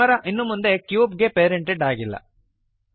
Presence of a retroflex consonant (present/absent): present